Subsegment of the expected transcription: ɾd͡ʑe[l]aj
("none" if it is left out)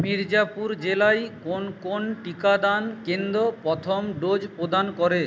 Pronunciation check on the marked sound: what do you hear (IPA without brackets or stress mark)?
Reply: l